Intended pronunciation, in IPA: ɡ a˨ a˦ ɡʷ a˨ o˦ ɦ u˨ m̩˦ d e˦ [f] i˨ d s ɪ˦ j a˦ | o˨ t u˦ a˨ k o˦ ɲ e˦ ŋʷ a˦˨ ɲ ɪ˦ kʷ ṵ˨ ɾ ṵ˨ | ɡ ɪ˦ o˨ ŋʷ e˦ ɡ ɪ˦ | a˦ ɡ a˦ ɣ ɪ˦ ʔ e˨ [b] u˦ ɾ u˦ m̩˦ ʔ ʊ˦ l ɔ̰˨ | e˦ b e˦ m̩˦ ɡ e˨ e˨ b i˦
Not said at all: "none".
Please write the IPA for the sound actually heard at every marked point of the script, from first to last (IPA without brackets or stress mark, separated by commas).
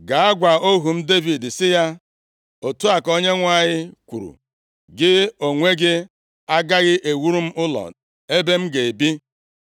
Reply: v, w